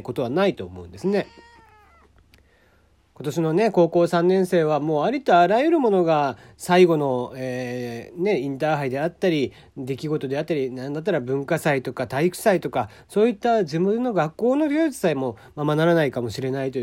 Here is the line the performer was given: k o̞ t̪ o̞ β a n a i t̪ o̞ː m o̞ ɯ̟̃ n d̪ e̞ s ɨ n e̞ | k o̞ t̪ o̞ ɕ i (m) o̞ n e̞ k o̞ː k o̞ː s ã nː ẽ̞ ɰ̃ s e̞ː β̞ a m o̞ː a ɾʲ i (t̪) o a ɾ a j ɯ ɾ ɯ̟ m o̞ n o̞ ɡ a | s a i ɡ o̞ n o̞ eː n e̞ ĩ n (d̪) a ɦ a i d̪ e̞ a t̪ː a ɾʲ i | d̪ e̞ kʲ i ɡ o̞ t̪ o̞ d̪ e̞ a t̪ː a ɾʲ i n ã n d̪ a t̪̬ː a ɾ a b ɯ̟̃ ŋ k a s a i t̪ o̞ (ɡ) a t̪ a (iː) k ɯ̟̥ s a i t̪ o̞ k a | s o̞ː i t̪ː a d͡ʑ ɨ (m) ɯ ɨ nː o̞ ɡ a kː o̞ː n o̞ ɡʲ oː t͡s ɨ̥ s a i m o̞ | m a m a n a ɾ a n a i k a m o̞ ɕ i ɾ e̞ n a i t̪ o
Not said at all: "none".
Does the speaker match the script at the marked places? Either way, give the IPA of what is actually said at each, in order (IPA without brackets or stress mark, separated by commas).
n, t̪, t̪, k, i, m